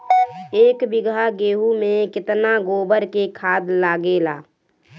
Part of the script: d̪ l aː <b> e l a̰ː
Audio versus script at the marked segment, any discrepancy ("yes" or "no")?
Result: yes